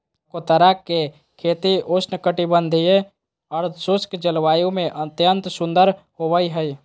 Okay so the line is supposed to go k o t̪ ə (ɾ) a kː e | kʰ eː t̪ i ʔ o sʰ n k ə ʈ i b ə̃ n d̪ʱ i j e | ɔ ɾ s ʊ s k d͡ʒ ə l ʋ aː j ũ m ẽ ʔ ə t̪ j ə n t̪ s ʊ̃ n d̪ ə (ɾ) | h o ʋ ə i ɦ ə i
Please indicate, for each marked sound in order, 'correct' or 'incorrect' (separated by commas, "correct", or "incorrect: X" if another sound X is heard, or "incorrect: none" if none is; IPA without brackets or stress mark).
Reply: correct, correct